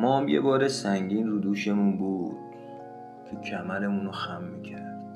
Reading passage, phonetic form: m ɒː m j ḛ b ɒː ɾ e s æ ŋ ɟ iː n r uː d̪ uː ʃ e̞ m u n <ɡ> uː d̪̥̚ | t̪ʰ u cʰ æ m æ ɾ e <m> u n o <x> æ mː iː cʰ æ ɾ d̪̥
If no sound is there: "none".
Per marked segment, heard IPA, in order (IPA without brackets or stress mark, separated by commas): b, m, x